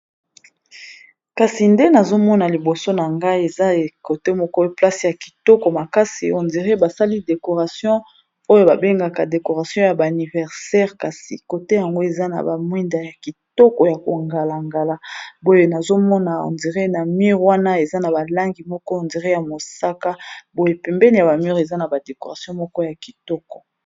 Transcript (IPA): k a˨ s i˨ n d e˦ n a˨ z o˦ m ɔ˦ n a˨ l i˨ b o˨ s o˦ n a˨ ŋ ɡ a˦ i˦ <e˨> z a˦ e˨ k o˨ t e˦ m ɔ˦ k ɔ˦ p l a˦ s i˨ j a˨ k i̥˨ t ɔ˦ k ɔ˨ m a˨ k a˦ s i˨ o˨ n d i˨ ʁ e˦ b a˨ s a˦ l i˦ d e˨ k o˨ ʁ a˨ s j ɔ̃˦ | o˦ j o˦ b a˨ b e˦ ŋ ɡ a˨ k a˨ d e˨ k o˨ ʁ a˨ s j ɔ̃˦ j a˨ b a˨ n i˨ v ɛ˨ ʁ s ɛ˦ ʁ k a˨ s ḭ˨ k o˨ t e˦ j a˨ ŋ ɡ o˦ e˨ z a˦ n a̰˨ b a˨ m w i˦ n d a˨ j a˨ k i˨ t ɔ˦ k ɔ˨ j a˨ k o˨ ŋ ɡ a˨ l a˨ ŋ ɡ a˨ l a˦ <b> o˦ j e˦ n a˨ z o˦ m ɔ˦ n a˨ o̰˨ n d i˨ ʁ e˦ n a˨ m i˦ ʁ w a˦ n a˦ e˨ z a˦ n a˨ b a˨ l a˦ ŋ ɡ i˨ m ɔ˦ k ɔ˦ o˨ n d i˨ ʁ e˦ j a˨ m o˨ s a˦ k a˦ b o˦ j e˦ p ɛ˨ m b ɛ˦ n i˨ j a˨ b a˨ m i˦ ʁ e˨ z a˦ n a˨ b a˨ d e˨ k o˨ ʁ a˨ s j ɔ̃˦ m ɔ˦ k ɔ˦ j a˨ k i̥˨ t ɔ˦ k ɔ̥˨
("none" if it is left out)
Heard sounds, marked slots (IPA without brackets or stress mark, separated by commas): e˨, b